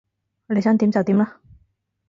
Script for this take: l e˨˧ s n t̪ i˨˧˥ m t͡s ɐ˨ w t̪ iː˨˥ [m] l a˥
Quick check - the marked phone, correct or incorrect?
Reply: correct